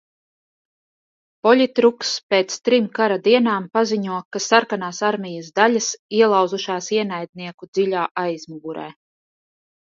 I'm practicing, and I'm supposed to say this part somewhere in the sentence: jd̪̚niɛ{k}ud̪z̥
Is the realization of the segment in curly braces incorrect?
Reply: no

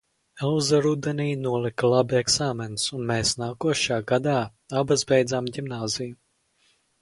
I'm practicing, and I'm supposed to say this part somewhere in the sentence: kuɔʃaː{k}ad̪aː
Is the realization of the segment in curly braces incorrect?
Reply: yes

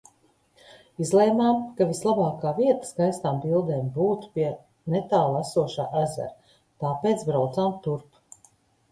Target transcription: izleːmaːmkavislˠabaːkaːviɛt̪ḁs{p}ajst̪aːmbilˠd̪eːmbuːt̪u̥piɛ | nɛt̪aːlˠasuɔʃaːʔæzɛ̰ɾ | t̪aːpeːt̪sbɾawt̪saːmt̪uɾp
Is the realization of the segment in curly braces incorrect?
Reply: yes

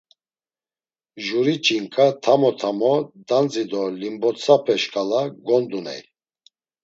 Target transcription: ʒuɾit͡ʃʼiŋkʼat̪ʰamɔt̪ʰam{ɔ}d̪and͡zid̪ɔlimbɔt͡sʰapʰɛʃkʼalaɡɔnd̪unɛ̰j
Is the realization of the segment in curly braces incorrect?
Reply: no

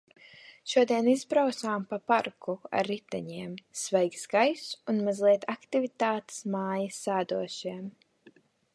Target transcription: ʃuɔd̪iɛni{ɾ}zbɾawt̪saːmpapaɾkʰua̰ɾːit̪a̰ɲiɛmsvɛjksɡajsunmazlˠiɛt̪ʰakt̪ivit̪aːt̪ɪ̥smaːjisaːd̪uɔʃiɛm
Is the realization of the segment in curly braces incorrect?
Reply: yes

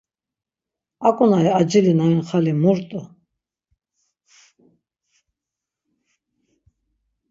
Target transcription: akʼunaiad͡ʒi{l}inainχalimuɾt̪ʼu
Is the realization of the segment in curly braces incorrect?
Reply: no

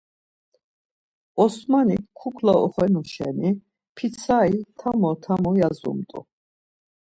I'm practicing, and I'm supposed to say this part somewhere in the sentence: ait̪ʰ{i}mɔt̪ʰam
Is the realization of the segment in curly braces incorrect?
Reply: yes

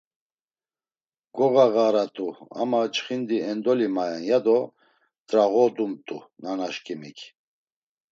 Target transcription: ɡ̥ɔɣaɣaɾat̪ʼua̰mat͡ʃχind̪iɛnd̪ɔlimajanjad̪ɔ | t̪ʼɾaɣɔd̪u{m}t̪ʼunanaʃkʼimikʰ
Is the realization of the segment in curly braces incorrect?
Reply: no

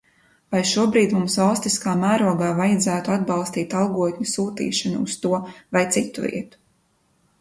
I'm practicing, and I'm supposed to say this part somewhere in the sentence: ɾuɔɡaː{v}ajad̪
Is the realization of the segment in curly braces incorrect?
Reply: no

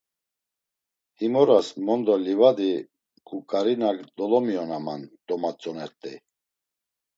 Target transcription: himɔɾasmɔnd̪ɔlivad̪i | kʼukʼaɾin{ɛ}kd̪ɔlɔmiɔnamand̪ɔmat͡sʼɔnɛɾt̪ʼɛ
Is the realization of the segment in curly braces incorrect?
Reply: yes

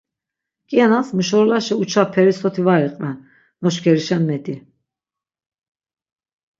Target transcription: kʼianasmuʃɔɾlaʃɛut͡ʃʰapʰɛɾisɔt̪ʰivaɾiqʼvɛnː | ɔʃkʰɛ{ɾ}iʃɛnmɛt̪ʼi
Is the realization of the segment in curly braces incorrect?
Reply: no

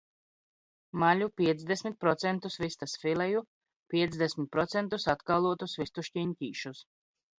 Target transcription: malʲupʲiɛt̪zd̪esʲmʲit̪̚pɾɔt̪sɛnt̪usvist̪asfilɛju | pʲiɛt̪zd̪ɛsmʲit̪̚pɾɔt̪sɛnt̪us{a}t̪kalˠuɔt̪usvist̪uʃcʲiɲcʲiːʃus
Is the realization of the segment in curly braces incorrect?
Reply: no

